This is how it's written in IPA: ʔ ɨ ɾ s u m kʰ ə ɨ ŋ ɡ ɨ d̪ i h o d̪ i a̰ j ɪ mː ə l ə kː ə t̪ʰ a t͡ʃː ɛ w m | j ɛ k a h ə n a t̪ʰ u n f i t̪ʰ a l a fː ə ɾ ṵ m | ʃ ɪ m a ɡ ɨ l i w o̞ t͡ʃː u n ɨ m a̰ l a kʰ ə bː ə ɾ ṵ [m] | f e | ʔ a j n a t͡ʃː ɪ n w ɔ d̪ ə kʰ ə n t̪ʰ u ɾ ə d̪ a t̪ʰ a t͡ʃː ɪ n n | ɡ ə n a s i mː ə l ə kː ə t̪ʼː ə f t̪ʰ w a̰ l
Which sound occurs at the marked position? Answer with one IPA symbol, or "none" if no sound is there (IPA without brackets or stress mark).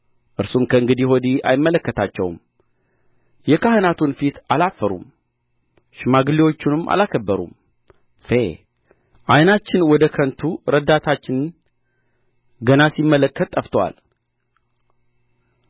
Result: m